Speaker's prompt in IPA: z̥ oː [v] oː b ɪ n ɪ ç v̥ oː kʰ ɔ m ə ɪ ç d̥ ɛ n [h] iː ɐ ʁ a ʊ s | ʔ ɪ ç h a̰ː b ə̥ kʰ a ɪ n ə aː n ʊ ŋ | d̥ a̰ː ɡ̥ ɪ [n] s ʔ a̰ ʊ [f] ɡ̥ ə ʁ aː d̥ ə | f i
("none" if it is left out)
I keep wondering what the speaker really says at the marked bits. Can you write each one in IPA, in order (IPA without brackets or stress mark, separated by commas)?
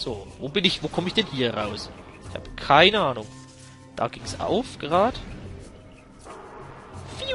v, h, ŋ, f